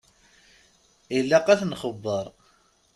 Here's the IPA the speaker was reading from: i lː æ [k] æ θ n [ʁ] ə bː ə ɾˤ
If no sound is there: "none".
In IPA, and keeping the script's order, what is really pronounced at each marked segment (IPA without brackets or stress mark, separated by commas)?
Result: q, χ